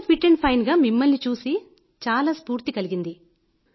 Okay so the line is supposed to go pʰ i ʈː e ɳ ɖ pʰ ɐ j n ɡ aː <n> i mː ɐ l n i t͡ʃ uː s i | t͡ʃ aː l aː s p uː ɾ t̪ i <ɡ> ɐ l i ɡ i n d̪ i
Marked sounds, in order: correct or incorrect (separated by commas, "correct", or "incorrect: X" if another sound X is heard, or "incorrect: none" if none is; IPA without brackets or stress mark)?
incorrect: m, incorrect: k